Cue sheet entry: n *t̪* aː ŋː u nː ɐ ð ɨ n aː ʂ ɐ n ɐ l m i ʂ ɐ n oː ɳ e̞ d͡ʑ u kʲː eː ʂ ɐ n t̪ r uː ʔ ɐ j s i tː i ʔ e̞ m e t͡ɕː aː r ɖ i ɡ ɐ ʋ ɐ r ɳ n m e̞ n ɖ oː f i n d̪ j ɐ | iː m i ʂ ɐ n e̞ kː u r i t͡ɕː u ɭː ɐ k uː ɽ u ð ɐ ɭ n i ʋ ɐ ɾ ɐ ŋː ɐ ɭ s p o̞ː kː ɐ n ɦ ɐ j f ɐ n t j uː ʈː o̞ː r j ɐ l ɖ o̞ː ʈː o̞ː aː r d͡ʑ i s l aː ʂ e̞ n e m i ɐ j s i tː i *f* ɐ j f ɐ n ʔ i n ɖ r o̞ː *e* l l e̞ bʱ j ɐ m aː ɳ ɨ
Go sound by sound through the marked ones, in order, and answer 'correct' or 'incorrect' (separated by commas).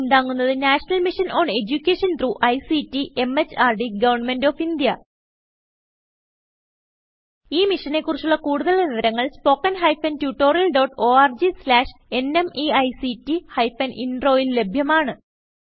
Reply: incorrect, incorrect, incorrect